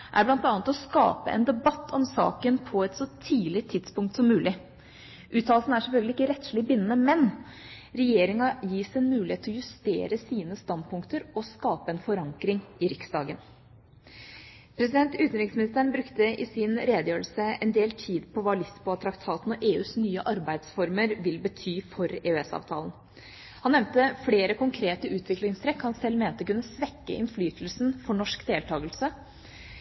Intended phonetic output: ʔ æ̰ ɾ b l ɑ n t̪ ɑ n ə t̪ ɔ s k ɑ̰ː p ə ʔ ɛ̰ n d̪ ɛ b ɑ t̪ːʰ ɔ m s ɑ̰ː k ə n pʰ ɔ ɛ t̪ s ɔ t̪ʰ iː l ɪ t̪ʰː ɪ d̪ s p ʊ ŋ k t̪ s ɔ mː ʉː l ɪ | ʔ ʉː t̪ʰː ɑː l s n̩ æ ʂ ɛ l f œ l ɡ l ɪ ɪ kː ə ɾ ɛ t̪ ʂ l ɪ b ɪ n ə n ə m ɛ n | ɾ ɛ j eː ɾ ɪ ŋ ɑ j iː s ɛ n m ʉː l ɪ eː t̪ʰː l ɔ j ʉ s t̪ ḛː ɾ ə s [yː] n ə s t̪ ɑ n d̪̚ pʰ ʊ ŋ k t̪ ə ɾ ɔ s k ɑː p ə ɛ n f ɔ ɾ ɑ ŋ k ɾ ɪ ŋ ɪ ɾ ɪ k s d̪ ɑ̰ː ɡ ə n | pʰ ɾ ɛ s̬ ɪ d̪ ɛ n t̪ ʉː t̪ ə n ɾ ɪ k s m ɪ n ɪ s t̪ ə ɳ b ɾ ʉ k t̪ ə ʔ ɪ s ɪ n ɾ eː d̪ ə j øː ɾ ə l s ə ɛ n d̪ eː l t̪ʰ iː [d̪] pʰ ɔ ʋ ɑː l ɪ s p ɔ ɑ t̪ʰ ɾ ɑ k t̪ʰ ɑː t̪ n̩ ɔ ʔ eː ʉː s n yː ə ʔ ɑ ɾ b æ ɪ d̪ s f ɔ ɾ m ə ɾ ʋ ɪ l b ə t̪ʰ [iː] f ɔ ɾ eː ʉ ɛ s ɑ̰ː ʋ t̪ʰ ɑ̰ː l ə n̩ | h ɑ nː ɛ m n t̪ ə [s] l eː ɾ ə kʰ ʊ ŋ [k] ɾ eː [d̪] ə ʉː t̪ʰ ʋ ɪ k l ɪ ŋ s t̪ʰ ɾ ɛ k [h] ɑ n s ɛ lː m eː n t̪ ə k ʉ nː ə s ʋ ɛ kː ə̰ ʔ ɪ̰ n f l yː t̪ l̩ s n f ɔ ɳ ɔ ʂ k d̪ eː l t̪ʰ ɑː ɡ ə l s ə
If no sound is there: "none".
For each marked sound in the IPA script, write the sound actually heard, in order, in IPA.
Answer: iː, d̪, yː, f, kʰ, t̪, h

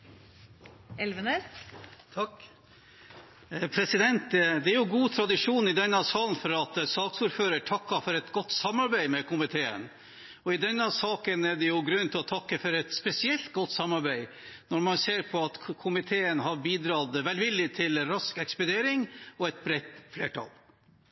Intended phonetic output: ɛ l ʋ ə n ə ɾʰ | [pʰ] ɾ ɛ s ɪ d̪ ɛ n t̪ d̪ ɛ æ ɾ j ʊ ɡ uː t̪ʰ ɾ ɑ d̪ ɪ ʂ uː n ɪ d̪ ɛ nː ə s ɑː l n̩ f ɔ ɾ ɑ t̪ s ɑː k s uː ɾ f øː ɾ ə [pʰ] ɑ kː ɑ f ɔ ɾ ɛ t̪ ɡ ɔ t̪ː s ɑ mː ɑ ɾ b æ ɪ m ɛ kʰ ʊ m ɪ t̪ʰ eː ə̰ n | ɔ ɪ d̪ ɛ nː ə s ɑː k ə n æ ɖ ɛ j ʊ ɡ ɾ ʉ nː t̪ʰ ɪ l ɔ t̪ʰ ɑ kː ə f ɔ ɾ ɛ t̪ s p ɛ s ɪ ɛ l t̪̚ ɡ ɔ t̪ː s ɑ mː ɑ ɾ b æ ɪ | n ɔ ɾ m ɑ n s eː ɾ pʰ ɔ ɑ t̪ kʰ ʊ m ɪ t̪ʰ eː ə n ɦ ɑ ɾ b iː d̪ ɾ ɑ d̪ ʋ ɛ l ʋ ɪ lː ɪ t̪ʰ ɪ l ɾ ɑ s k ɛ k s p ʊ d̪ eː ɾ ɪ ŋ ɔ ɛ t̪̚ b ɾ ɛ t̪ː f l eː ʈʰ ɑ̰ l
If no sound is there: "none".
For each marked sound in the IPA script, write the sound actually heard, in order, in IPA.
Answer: pʰ, ʈʰ

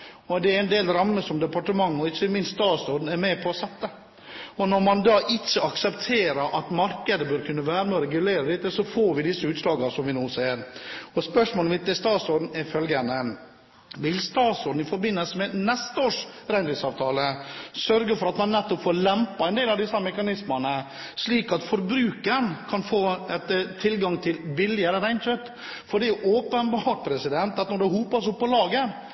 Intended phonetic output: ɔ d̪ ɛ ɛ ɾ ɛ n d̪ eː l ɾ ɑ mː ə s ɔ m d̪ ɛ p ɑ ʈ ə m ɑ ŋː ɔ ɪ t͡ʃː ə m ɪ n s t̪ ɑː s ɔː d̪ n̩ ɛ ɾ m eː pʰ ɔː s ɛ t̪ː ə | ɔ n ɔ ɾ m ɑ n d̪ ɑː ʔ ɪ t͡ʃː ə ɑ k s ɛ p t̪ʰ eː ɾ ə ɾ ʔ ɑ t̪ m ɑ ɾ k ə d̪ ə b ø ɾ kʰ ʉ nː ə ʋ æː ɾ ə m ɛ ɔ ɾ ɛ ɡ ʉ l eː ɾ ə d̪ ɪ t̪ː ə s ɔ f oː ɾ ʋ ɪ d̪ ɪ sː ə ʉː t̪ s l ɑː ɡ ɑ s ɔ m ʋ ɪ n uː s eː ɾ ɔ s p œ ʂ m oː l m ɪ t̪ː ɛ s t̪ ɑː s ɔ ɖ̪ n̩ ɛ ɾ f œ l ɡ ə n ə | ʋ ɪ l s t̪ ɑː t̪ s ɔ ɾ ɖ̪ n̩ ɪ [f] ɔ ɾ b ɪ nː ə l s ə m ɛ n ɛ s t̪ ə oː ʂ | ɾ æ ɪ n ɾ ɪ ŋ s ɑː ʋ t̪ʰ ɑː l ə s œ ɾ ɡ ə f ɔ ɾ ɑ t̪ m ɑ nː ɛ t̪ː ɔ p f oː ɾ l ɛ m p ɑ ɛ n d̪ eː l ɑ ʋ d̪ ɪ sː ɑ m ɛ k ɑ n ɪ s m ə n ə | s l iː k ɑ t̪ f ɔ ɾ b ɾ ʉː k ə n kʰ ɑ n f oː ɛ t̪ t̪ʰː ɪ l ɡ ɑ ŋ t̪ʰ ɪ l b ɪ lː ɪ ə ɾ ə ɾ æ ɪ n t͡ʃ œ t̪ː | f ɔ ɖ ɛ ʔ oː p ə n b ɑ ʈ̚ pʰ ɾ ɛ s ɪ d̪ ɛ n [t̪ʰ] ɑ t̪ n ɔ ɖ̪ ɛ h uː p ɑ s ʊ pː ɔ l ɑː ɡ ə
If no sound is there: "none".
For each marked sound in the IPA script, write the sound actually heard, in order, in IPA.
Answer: f, t̪

